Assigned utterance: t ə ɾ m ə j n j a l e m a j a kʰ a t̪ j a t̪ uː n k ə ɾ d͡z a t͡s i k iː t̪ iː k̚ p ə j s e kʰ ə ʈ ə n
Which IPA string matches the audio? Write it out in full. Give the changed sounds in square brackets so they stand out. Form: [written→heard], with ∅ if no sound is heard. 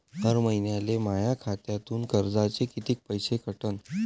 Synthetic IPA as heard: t ə ɾ m ə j n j a l e m a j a kʰ a t̪ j a t̪ uː n k ə ɾ d͡z a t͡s [i→e] k [iː→i] t̪ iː k̚ p ə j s e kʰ ə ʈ ə n